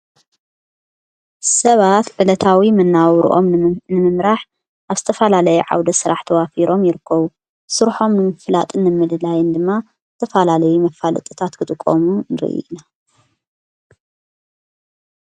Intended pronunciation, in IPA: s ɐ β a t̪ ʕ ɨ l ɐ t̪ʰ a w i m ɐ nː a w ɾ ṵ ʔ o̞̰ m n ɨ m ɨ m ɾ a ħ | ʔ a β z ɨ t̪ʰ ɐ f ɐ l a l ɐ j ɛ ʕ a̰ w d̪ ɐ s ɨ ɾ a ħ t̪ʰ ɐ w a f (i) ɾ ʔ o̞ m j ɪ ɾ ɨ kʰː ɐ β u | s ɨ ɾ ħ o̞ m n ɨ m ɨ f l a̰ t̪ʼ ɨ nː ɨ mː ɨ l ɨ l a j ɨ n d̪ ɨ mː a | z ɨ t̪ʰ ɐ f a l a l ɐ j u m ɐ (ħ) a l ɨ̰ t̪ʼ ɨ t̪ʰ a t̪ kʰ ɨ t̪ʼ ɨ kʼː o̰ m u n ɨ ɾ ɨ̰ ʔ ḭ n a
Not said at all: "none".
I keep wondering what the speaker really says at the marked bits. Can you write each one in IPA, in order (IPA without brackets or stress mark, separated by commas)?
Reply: i, f